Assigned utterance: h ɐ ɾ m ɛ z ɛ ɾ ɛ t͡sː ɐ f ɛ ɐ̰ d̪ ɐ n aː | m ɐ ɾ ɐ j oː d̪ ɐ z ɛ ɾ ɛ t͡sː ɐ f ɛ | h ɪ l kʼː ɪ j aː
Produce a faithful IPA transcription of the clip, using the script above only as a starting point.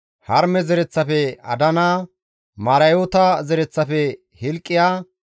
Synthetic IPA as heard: h ɐ ɾ m ɛ z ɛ ɾ ɛ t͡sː ɐ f ɛ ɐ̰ d̪ ɐ n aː | m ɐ ɾ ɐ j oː t̪ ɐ z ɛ ɾ ɛ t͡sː ɐ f ɛ | h ɪ l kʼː ɪ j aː